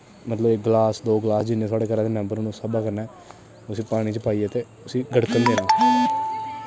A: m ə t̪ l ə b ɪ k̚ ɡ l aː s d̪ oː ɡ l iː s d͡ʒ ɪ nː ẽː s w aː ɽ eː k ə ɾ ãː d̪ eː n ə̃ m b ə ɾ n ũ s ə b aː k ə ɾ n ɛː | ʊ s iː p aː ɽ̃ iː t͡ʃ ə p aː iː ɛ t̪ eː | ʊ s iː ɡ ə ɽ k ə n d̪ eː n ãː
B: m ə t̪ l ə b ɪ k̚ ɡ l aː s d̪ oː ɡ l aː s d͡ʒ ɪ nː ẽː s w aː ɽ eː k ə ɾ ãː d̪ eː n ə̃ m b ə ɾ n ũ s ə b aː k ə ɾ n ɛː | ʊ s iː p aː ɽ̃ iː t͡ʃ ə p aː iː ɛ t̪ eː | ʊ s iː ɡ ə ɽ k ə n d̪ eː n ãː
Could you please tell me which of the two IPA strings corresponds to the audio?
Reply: B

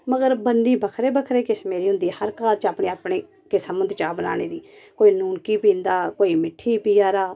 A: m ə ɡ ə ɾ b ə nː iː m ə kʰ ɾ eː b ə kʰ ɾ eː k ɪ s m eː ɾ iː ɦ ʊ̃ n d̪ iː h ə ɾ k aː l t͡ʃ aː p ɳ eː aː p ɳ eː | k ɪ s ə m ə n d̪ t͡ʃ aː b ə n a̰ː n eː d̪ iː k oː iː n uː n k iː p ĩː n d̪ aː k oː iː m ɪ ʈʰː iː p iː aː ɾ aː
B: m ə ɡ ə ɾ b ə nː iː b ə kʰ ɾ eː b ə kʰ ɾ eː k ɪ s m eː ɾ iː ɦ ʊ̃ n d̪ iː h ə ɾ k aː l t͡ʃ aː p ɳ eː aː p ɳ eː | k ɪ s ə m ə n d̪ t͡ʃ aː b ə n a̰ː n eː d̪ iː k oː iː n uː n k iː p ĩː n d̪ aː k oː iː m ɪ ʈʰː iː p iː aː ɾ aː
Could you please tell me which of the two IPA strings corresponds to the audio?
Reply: B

